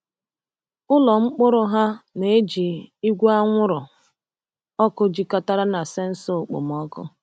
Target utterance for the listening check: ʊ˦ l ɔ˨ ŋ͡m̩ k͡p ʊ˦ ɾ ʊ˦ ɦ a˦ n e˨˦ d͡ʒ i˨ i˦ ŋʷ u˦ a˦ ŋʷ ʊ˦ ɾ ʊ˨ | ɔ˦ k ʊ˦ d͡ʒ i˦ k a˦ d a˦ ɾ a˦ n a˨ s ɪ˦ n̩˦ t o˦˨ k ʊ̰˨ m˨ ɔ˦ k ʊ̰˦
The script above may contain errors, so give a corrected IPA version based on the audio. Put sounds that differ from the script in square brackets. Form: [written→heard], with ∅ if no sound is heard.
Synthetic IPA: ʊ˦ l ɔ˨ ŋ͡m̩ k͡p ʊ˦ ɾ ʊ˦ ɦ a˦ n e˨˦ d͡ʒ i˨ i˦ [ŋʷ→ɡʷ] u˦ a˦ ŋʷ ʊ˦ ɾ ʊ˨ | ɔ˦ k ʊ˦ d͡ʒ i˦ k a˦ [d→t] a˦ ɾ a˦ n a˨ s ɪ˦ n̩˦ [t→s] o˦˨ [k→k͡p] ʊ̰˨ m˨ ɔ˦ k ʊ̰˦